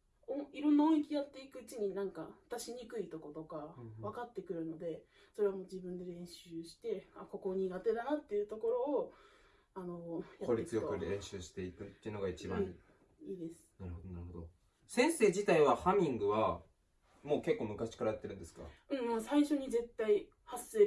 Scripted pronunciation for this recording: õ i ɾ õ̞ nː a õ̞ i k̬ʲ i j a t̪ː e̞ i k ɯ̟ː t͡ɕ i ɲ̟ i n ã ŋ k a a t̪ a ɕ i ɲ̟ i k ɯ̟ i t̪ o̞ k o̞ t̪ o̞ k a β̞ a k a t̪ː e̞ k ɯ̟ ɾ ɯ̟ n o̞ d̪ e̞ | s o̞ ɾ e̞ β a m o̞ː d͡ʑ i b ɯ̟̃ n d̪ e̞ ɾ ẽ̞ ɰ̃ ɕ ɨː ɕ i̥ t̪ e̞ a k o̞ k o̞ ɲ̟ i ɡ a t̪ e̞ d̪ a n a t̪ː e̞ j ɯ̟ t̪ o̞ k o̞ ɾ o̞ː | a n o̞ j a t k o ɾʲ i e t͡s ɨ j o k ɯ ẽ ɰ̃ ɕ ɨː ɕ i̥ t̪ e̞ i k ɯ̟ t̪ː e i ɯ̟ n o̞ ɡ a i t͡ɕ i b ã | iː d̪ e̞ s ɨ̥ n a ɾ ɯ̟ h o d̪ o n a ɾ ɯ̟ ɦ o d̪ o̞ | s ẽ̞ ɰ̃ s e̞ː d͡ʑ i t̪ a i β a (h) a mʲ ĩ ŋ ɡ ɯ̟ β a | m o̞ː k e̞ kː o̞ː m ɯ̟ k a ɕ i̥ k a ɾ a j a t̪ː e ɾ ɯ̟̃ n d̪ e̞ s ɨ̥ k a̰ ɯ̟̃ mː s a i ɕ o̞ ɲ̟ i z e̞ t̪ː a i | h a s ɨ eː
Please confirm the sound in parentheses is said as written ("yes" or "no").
yes